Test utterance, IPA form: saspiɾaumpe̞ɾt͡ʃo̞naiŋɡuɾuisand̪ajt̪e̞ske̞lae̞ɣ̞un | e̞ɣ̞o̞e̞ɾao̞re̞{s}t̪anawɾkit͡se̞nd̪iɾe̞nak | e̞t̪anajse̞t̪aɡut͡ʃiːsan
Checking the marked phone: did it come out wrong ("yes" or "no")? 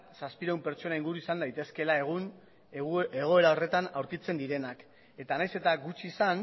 yes